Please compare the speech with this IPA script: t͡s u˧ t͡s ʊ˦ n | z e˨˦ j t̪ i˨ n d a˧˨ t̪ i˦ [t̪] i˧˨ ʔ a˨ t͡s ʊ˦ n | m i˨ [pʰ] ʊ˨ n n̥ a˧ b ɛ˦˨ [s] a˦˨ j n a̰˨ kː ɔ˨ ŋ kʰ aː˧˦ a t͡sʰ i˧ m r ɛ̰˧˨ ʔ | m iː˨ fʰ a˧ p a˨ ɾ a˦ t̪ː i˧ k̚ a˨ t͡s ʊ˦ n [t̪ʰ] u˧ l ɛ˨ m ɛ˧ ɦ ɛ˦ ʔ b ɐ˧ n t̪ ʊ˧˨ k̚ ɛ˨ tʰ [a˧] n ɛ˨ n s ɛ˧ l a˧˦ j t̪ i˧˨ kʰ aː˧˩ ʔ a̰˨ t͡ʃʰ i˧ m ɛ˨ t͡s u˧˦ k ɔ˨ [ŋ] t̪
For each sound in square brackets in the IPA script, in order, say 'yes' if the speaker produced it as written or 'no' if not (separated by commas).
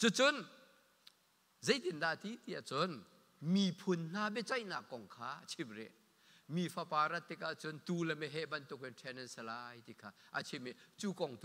yes, yes, no, no, no, yes